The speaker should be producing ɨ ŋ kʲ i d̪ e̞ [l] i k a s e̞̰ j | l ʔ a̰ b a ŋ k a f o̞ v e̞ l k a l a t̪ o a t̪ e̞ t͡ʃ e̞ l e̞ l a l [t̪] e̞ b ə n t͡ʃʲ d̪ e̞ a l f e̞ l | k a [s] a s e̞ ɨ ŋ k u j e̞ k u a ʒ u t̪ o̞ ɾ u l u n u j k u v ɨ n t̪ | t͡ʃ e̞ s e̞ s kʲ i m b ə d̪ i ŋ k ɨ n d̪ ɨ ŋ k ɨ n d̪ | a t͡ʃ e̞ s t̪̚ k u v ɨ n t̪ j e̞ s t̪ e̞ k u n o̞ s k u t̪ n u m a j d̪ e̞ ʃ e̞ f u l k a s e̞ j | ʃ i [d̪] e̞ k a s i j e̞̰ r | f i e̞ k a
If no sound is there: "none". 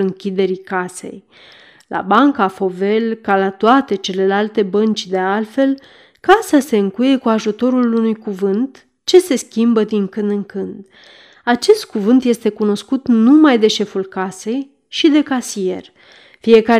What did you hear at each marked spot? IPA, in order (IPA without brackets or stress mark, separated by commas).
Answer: ɾ, t̪, s, d̪